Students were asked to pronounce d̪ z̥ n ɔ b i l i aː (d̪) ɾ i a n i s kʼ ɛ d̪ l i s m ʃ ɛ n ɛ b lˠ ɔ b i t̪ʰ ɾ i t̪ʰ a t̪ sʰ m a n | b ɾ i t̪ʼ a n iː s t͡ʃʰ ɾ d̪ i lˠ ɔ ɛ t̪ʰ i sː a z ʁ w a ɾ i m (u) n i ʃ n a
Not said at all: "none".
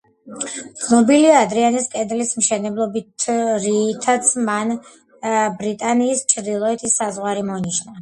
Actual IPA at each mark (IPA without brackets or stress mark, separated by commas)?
d̪, ɔ